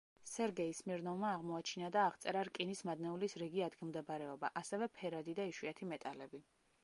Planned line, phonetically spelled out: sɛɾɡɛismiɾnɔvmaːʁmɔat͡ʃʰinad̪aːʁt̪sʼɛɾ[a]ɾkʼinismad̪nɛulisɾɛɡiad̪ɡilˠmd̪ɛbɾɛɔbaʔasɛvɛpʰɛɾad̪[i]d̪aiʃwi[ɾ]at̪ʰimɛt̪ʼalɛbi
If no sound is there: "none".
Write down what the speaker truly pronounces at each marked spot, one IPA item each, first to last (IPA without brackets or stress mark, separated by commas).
a, i, none